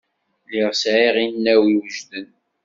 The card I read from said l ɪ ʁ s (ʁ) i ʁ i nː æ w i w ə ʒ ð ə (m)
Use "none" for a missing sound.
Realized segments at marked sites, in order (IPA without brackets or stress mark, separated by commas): ʕ, n